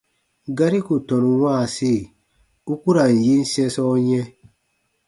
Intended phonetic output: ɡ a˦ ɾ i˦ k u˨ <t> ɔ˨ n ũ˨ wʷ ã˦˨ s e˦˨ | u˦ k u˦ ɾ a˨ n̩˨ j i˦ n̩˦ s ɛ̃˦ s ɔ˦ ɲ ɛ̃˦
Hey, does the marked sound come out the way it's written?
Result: yes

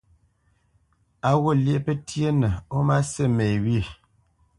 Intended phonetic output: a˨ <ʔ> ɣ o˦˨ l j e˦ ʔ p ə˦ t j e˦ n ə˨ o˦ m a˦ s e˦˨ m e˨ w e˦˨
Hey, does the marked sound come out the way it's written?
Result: no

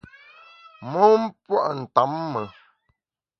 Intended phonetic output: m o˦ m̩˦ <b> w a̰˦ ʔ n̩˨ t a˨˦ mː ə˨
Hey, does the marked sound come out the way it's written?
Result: no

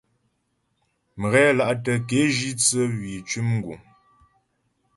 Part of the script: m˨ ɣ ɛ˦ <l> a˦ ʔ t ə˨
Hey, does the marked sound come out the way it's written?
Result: yes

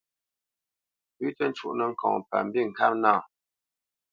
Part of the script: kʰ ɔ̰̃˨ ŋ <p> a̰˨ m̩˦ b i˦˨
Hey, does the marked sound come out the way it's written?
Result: yes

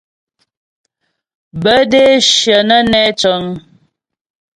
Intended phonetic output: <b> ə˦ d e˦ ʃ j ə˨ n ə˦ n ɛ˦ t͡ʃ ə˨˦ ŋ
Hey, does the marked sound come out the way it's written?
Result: yes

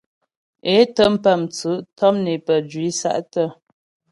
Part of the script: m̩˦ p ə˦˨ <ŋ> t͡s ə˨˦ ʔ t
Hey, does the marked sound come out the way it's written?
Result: no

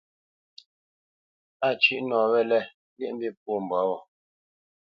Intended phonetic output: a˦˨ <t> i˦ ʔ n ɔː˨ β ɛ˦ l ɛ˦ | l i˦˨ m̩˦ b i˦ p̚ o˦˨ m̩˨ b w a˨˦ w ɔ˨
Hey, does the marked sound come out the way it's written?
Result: no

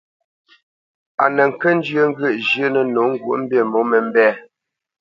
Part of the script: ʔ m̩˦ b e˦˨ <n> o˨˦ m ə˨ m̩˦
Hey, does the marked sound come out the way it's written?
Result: no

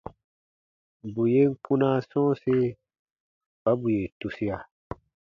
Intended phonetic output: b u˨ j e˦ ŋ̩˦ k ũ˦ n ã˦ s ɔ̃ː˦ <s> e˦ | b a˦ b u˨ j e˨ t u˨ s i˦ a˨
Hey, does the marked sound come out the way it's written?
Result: yes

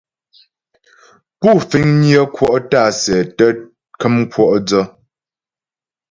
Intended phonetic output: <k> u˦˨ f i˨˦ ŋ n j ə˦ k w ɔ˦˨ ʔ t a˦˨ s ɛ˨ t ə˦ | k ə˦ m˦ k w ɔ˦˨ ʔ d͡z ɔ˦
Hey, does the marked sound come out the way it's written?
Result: no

